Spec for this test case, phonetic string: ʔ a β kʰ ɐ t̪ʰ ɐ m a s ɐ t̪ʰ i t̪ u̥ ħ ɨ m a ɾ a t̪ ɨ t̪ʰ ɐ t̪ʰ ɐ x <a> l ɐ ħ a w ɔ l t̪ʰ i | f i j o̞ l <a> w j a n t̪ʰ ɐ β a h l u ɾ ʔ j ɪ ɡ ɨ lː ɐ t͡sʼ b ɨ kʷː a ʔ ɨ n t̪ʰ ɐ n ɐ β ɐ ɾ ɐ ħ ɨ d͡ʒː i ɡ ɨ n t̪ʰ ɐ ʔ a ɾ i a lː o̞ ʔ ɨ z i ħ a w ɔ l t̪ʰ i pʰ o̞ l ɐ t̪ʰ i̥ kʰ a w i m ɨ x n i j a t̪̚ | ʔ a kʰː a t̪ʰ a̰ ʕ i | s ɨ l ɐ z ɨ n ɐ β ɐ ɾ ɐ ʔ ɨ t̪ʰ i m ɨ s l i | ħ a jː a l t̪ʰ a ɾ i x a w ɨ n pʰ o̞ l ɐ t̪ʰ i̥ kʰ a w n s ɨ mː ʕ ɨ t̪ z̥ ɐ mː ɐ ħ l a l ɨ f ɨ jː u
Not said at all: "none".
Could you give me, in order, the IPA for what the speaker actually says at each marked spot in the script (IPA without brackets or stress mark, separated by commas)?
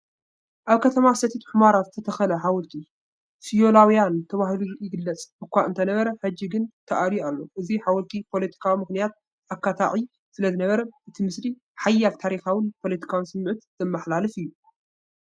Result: ɐ, a